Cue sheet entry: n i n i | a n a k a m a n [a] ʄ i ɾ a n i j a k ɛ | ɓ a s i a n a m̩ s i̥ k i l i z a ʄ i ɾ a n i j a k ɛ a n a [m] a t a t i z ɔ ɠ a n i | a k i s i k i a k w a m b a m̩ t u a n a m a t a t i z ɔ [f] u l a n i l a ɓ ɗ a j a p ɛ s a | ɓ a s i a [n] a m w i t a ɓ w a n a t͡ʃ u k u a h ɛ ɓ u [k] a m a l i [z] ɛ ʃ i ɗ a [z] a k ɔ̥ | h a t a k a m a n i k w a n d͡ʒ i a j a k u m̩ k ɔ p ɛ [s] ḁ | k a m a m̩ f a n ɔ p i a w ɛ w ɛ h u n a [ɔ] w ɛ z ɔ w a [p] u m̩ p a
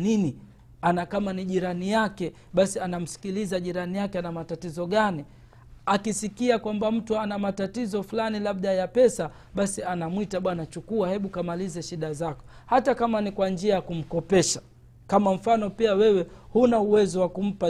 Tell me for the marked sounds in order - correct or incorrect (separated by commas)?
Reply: incorrect, correct, correct, correct, correct, correct, correct, incorrect, incorrect, incorrect